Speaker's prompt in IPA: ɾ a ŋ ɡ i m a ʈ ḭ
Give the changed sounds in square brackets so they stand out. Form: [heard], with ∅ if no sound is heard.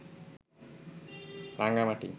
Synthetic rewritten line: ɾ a ŋ ɡ [a] m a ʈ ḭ